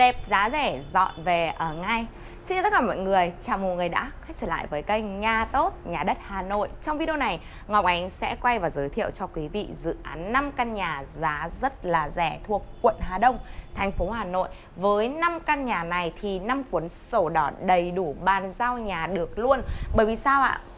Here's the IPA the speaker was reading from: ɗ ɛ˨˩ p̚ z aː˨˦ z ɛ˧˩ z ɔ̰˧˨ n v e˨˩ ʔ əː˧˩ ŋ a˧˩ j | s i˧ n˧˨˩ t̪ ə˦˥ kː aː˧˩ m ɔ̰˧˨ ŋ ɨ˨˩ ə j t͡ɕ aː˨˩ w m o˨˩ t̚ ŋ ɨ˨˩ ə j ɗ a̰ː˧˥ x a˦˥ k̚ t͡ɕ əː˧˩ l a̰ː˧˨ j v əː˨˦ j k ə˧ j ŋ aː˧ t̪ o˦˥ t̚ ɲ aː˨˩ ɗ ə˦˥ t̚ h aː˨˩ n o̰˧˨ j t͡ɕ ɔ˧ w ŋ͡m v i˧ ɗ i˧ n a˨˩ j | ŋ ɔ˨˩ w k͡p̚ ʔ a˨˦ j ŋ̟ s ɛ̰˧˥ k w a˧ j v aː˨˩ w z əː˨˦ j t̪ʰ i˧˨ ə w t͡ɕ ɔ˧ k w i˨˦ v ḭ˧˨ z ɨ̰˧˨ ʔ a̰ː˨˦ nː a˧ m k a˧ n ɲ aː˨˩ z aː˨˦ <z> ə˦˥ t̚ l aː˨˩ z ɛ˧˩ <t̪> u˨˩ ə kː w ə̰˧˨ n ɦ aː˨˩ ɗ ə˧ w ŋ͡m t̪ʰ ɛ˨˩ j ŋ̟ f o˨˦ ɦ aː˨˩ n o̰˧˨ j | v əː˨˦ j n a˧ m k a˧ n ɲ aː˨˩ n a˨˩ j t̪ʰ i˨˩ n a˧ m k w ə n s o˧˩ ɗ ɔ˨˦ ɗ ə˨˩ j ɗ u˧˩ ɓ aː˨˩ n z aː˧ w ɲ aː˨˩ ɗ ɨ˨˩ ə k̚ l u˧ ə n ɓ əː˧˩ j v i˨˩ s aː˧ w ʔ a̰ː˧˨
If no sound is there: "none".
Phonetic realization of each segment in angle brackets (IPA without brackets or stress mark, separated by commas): z, t̪ʰ